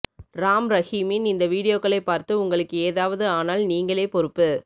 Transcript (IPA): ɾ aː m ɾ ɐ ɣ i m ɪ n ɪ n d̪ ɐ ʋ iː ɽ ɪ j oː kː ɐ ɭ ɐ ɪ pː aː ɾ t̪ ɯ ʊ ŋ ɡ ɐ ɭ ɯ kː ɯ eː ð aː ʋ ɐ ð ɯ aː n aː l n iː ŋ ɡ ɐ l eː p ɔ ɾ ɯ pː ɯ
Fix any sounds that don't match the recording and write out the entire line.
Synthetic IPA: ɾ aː m ɾ ɐ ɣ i m ɪ n ɪ n d̪ ɐ ʋ iː ɽ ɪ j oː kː ɐ ɭ ɐ ɪ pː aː ɾ t̪ ɯ ʊ ŋ ɡ ɐ ɭ ɯ kː ɯ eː ð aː ʋ ɐ ð ɯ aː n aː l n iː ŋ ɡ ɐ ɭ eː p ɔ ɾ ɯ pː ɯ